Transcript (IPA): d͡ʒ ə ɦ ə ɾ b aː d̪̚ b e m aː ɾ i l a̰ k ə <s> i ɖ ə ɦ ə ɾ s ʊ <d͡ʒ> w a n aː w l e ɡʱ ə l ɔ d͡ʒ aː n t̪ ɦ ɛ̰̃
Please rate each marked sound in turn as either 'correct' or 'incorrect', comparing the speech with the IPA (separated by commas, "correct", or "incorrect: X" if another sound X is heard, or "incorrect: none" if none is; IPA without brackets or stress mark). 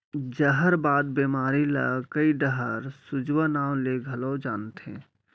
incorrect: none, correct